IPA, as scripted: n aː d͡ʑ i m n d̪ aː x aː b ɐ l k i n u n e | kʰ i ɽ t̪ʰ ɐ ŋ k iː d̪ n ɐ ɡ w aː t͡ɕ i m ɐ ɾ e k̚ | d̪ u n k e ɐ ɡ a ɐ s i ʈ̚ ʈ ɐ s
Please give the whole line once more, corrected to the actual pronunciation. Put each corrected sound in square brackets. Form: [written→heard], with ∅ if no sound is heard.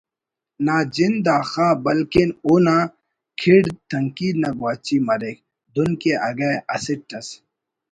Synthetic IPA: n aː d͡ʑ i [m→∅] n d̪ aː x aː b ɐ l k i n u n [e→a] | kʰ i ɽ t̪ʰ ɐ ŋ k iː d̪ n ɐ ɡ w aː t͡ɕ i m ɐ ɾ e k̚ | d̪ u n k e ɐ ɡ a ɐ s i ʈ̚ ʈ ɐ s